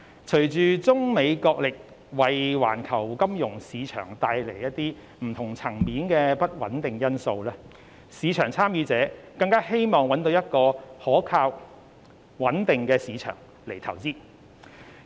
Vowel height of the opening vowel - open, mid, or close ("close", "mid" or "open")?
mid